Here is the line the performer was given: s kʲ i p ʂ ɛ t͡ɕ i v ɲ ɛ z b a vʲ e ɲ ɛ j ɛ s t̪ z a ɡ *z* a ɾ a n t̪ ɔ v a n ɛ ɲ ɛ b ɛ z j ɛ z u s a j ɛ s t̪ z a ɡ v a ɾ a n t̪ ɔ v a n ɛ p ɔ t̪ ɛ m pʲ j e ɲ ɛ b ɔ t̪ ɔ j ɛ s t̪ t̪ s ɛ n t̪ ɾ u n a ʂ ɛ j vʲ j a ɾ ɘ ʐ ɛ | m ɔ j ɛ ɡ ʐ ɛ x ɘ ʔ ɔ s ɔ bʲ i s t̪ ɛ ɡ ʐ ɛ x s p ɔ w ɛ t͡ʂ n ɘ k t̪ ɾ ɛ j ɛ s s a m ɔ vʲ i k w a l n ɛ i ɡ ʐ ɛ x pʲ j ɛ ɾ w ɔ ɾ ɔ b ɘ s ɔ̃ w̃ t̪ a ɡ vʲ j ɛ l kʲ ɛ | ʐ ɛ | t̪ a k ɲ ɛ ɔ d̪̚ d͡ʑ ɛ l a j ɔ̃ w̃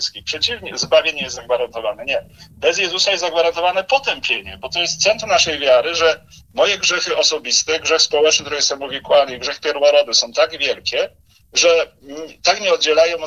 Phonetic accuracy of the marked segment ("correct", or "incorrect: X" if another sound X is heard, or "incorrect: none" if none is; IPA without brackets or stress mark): incorrect: v